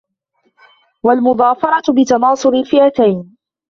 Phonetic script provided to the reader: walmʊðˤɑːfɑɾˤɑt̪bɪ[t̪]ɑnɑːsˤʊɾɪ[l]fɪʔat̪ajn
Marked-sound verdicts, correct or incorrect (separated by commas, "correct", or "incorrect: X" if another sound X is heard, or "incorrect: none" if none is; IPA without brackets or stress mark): correct, correct